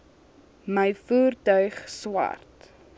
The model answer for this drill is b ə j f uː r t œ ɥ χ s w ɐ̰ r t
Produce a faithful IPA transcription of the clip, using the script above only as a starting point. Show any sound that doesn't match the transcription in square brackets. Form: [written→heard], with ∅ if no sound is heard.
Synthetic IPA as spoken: [b→m] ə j f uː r t œ ɥ χ s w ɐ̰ r t